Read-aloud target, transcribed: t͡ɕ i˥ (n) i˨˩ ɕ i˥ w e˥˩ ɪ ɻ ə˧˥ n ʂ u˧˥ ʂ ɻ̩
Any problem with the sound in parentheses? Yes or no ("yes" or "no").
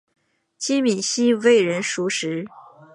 yes